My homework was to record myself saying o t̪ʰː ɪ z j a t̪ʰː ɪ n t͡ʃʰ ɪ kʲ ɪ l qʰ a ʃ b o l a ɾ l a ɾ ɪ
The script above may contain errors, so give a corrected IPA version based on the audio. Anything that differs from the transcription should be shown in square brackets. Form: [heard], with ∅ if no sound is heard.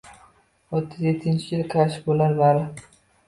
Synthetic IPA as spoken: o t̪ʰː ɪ z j [e] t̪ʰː ɪ n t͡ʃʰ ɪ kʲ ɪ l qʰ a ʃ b o l a ɾ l a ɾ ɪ

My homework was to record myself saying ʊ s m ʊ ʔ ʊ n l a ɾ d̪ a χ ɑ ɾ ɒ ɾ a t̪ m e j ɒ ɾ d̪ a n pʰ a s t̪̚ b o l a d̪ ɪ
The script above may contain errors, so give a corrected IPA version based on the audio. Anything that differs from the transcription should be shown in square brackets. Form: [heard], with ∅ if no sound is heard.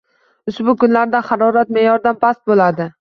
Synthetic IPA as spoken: ʊ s [b] ʊ [k] ʊ n l a ɾ d̪ a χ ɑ ɾ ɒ ɾ a t̪ m e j ɒ ɾ d̪ a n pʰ a s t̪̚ b o l a d̪ ɪ

